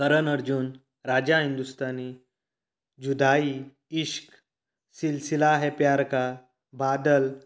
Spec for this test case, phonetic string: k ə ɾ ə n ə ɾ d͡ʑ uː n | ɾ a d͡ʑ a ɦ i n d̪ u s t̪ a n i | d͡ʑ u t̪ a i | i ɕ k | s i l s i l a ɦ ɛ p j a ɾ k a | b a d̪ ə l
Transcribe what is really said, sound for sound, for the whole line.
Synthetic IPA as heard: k ə ɾ ə n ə ɾ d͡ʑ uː n | ɾ a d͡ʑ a ɦ i n d̪ u s t̪ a n i | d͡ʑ u d̪ a i | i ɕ k | s i l s i l a ɦ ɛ p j a ɾ k a | b a d̪ ə l

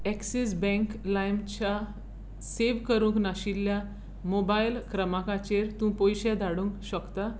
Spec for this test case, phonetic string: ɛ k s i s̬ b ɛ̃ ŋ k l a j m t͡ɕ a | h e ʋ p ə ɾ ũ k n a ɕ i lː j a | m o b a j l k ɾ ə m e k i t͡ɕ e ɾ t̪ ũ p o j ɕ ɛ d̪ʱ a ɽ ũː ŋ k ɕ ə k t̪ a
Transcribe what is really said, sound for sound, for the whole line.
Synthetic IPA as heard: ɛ k s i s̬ b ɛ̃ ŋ k l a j m t͡ɕ a | s e ʋ k ə ɾ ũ k n a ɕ i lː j a | m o b a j l k ɾ ə m a k a t͡ɕ e ɾ t̪ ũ p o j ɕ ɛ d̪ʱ a ɽ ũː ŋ k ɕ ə k t̪ a

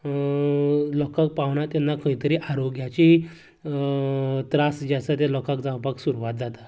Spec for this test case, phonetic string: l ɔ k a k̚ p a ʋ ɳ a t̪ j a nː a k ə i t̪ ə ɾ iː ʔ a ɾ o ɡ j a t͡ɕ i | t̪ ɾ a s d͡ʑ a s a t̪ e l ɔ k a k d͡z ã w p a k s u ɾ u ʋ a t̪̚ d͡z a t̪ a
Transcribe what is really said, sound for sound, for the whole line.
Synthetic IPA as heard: l ɔ k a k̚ p a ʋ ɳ a t̪ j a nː a k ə i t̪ ə ɾ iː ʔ a ɾ o ɡ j a t͡ɕ i | t̪ ɾ a s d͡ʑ a s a t̪ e l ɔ k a k d͡z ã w p a k s u ɾ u ʋ a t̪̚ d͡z a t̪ a

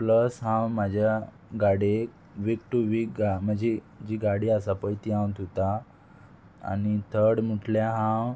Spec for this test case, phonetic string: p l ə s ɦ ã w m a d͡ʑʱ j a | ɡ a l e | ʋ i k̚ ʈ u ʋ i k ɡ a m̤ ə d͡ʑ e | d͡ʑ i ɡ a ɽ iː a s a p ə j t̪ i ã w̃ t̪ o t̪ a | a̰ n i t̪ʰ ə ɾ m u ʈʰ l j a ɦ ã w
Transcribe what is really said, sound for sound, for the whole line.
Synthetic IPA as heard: p l ə s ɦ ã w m a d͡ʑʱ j a | ɡ a ɽ e | ʋ i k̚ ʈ u ʋ i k ɡ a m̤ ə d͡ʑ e | d͡ʑ i ɡ a ɽ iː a s a p ə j t̪ i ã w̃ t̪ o t̪ a | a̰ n i t̪ʰ ə ɽ m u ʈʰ l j a ɦ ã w

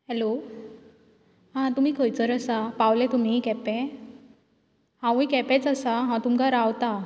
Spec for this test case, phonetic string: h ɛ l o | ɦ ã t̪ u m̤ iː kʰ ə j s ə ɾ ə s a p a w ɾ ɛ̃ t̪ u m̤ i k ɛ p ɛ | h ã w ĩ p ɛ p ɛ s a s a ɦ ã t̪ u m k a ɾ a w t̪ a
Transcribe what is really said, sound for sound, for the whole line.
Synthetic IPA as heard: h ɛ l o | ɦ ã t̪ u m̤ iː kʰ ə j t͡s ə ɾ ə s a p a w l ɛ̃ t̪ u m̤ i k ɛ p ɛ | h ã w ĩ k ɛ p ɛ t͡s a s a ɦ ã t̪ u m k a ɾ a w t̪ a

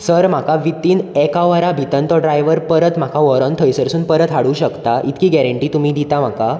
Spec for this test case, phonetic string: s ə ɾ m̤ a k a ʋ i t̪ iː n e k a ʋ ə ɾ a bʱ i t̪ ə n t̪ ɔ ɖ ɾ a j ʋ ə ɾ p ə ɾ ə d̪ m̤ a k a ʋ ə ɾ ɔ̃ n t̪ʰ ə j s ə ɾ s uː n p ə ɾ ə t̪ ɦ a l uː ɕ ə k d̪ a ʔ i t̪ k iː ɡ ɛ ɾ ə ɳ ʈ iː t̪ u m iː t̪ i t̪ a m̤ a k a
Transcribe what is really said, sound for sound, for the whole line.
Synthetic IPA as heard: s ə ɾ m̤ a k a ʋ i t̪ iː n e k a ʋ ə ɾ a bʱ i t̪ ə n t̪ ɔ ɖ ɾ a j ʋ ə ɾ p ə ɾ ə t̪ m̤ a k a ʋ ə ɾ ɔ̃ n t̪ʰ ə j s ə ɾ s uː n p ə ɾ ə t̪ ɦ a ɽ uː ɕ ə k t̪ a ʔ i t̪ k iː ɡ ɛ ɾ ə ɳ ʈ iː t̪ u m iː d̪ i t̪ a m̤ a k a

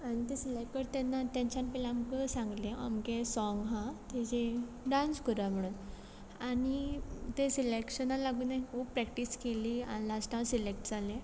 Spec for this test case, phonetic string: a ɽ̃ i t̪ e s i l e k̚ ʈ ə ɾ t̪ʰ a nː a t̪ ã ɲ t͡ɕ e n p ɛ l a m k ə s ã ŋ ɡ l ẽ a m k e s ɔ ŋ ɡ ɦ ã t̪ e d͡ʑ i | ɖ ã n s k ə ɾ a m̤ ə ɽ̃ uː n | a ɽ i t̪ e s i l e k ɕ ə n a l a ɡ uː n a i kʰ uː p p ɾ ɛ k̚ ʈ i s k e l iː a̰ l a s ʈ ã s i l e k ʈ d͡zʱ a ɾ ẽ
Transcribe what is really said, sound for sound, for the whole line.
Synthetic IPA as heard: a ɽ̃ i t̪ e s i l e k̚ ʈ ə ɾ t̪ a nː a t̪ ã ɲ t͡ɕ a n p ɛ l a m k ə s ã ŋ ɡ l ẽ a m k e s ɔ ŋ ɡ ɦ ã t̪ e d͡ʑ e | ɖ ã n s k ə ɾ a m̤ ə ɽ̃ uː n | a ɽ i t̪ e s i l e k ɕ ə n a l a ɡ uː n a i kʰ uː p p ɾ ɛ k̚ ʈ i s k e l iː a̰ l a s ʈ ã s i l e k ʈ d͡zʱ a l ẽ

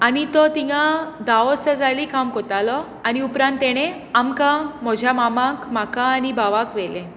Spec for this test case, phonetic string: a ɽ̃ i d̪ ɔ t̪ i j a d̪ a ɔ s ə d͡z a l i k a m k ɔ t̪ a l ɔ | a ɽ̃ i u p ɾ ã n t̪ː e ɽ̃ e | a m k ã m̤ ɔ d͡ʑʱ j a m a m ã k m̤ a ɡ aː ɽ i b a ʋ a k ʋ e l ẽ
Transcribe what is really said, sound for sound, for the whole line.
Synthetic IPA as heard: a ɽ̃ i t̪ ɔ t̪ i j a d̪ a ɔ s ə d͡z a l i k a m k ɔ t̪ a l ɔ | a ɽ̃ i u p ɾ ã n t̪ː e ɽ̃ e | a m k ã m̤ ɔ d͡ʑʱ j a m a m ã k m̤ a k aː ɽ i b a ʋ a k ʋ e l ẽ

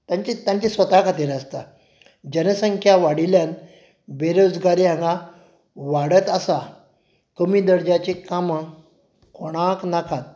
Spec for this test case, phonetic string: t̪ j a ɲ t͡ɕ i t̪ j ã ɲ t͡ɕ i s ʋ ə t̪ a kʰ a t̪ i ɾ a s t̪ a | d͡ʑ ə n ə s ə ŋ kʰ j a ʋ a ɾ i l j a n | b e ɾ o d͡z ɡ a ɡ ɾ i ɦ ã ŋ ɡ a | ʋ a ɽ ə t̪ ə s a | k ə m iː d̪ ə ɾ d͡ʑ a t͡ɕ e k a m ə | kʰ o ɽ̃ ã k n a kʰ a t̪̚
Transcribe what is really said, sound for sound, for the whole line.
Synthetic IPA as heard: t̪ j a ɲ t͡ɕ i t̪ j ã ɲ t͡ɕ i s ʋ ə t̪ a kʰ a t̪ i ɾ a s t̪ a | d͡ʑ ə n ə s ə ŋ kʰ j a ʋ a ɽ i l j a n | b e ɾ o d͡z ɡ a ɾ i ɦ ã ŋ ɡ a | ʋ a ɽ ə t̪ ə s a | k ə m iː d̪ ə ɾ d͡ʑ a t͡ɕ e k a m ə | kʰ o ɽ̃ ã k n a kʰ a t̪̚

